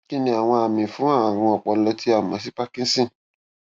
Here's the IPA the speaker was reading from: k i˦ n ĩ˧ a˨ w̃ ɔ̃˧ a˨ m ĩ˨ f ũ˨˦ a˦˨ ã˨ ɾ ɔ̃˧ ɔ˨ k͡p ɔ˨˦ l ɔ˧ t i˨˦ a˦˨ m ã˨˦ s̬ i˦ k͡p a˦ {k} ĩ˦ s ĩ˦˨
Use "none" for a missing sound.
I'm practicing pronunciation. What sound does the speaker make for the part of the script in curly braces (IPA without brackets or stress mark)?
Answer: k